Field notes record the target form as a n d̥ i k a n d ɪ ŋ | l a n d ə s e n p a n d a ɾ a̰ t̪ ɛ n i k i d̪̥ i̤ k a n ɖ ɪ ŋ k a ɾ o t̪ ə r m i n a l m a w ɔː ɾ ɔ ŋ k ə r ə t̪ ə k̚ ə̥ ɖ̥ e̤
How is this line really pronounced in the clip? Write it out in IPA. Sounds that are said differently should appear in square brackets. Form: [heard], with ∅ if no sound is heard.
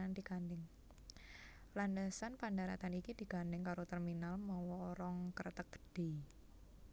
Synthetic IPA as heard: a n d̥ i k a n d ɪ ŋ | l a n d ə s [a] n p a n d a ɾ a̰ t̪ [a] n i k i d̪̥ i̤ k a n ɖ ɪ ŋ k a ɾ o t̪ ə r m i n a l m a w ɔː ɾ ɔ ŋ k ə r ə t̪ ə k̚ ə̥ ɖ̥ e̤